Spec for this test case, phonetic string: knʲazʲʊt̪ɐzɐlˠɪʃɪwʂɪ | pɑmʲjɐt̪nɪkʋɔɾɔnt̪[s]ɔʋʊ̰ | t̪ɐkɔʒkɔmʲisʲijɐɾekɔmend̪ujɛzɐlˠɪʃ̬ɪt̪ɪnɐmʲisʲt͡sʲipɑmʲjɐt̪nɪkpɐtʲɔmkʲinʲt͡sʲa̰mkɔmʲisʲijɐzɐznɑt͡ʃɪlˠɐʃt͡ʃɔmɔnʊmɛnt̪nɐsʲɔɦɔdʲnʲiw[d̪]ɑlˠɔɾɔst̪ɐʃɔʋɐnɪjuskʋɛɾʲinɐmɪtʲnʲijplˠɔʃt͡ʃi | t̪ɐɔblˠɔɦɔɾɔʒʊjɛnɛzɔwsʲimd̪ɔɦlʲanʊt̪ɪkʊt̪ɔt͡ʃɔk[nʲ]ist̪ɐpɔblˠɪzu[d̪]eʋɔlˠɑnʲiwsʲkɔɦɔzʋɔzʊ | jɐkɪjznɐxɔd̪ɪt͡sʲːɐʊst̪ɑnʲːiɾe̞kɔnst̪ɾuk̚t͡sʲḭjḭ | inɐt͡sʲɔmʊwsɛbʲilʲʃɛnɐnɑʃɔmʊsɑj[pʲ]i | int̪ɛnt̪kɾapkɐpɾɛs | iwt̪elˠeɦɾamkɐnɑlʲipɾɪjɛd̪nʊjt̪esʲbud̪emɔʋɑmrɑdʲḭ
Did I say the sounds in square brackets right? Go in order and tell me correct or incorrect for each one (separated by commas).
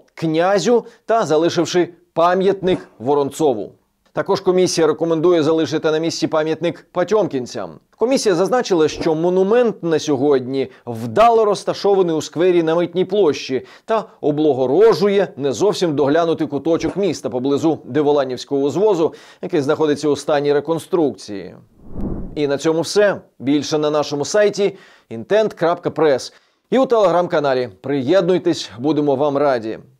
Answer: correct, correct, incorrect, correct, incorrect